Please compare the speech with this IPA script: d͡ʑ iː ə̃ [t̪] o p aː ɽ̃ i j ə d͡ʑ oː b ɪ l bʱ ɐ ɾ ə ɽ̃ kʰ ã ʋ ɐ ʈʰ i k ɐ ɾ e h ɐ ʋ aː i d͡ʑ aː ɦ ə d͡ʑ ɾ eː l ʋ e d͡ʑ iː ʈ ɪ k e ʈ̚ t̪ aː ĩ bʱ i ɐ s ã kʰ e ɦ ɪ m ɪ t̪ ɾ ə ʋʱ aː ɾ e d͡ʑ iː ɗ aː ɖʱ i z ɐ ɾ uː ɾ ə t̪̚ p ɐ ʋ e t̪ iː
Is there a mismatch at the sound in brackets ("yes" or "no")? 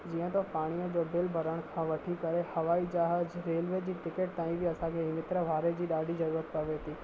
no